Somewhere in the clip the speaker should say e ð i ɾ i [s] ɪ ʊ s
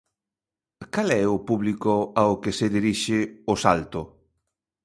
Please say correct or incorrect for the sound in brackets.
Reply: incorrect